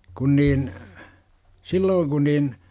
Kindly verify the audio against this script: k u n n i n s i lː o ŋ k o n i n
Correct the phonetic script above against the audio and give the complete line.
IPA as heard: k u n n iː n s i lː oː ŋ k u n iː n

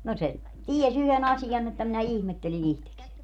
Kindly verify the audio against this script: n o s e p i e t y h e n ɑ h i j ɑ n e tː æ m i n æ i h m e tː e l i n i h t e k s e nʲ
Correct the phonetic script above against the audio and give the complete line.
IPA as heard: n o s e t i e s y h e n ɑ s i j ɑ n e tː æ m i n æ i h m e tː e l i n i h t e k s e nʲ

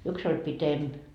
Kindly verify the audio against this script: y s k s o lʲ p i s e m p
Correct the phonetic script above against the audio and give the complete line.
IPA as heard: y k s o lʲ p i t e m p

